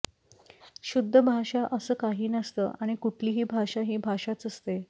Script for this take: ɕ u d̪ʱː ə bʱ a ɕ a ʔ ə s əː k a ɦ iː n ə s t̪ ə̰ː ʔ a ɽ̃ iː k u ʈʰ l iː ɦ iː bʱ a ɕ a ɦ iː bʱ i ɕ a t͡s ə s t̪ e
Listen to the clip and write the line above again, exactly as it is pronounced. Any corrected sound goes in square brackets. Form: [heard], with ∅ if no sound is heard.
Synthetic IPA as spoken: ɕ u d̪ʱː ə bʱ a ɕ a ʔ ə s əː k a ɦ iː n ə s t̪ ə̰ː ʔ a ɽ̃ [i] k u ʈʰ l iː ɦ iː bʱ a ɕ a ɦ iː bʱ [a] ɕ a t͡s ə s t̪ e